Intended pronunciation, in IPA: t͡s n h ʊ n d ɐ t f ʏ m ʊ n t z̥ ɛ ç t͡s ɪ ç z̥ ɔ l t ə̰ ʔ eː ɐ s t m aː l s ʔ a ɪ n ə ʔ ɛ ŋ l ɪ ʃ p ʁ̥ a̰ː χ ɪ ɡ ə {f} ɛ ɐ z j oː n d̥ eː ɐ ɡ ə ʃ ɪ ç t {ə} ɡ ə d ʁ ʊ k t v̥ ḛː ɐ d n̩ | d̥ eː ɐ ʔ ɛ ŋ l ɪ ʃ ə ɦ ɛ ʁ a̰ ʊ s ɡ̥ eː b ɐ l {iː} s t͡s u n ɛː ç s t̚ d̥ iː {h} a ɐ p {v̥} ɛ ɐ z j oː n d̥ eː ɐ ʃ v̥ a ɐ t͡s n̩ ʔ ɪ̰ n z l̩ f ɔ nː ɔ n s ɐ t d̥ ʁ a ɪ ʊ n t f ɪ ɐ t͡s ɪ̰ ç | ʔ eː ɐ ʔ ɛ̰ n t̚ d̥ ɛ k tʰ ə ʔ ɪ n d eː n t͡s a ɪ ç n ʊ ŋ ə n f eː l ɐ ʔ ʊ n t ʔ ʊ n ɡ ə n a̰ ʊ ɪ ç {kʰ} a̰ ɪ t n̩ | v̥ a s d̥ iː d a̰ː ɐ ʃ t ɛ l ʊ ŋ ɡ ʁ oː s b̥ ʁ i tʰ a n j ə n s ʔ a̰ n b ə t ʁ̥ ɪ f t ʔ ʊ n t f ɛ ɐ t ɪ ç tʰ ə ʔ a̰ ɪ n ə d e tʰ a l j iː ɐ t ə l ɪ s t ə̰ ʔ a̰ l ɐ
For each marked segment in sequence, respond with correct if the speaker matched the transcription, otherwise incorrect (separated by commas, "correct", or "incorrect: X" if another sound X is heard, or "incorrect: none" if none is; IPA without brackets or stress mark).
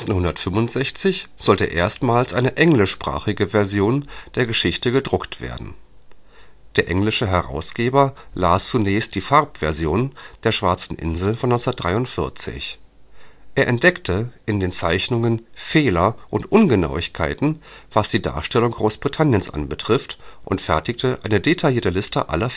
incorrect: v, correct, incorrect: aː, incorrect: f, correct, correct